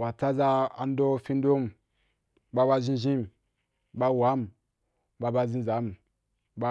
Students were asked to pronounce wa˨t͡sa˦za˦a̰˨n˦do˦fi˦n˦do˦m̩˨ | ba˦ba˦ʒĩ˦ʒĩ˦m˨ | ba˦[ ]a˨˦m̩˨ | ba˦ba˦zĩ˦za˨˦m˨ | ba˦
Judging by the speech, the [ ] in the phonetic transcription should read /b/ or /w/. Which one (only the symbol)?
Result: w